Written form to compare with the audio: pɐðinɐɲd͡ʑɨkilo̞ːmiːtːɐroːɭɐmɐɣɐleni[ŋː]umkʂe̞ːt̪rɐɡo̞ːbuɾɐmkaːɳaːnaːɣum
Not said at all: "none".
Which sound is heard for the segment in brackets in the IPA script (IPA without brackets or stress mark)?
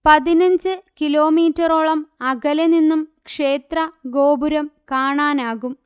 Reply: nː